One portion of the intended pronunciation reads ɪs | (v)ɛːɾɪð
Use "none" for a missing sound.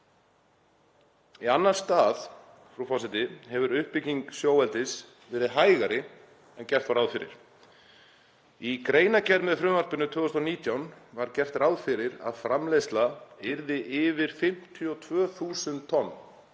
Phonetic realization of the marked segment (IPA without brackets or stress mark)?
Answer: v